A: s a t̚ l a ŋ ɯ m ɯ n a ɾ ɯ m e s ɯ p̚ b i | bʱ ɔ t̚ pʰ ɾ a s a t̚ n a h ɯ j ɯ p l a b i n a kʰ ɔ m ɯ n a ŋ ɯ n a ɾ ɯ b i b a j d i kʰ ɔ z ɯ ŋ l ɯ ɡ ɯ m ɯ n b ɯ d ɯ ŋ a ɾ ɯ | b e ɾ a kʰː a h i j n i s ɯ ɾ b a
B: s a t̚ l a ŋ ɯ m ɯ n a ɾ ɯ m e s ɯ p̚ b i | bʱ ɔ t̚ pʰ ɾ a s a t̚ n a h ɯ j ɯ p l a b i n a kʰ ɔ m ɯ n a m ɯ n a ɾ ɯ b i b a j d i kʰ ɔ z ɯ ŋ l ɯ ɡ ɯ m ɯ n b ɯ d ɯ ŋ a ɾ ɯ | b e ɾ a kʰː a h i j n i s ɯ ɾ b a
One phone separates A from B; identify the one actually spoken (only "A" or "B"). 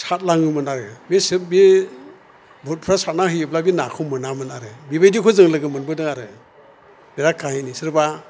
B